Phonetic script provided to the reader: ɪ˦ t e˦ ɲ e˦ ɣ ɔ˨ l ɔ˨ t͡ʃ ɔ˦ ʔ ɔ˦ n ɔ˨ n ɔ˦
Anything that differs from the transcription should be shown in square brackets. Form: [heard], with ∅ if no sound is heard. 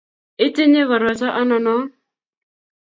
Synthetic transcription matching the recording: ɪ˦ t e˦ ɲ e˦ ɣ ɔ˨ [ɾ] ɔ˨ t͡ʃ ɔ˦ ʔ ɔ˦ n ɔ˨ n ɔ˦